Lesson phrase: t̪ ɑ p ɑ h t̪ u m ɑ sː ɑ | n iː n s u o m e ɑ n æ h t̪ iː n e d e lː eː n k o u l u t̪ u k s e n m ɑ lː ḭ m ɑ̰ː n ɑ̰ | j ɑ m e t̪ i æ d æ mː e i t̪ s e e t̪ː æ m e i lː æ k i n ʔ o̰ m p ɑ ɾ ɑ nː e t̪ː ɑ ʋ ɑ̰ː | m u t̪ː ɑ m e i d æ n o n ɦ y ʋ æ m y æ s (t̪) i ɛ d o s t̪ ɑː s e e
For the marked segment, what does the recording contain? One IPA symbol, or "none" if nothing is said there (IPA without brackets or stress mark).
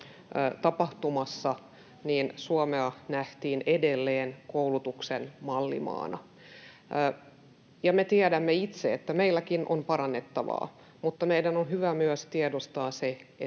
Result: t̪